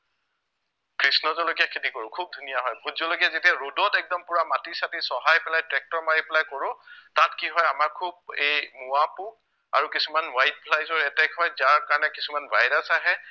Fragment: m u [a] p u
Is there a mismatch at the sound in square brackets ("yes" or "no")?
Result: no